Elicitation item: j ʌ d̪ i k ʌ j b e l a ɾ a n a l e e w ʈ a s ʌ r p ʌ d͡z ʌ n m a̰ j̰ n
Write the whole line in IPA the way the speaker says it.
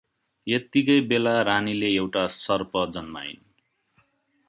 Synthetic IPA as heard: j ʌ t̪ i k ʌ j b e l a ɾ a n i l e e w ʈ a s ʌ r p ʌ d͡z ʌ n m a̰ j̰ n